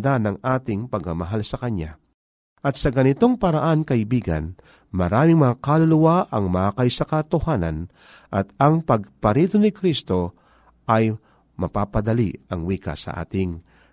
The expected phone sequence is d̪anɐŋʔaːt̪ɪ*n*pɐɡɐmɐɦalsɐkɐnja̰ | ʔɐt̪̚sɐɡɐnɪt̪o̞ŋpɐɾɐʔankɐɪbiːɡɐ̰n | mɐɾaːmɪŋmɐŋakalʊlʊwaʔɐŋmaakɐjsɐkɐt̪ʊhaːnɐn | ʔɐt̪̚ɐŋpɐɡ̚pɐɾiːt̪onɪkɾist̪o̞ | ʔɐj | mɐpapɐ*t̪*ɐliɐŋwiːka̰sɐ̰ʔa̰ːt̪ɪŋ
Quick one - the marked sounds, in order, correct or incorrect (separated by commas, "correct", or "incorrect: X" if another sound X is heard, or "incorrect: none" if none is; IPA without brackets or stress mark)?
incorrect: ŋ, incorrect: d̪